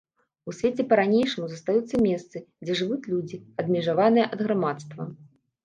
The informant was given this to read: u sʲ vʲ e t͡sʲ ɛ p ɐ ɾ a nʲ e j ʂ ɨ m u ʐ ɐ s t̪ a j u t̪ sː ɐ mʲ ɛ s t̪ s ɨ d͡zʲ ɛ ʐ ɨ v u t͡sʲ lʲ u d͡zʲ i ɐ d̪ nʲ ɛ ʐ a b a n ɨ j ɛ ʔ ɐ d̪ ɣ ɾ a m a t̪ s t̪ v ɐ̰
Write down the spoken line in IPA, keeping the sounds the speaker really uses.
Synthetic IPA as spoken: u sʲ vʲ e t͡sʲ ɛ p ɐ ɾ a nʲ e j ʂ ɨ m u z ɐ s t̪ a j u t̪ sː ɐ mʲ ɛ s t̪ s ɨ d͡zʲ ɛ ʐ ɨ v u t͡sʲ lʲ u d͡zʲ i ɐ d̪ mʲ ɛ ʐ a v a n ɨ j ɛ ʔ ɐ d̪ ɣ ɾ a m a t̪ s t̪ v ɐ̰